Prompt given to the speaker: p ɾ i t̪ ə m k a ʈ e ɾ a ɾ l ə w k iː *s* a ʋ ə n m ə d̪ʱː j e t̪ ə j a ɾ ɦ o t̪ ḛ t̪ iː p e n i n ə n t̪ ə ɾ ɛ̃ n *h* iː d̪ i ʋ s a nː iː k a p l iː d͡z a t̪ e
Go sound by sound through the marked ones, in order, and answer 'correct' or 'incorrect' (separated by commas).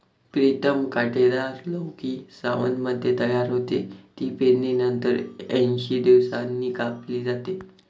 correct, incorrect